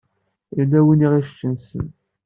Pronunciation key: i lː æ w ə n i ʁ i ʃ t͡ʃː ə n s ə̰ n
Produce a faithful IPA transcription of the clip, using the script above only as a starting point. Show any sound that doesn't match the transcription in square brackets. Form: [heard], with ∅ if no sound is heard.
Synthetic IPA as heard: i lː æ w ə n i ʁ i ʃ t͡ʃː ə n s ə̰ n